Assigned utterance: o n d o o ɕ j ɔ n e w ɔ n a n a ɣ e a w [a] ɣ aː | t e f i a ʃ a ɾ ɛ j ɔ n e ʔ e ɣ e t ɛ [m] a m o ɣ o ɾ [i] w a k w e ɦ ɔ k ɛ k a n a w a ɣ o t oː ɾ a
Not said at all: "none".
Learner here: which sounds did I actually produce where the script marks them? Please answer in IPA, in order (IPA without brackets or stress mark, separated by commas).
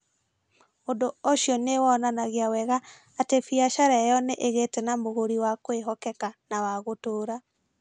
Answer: ɛ, n, i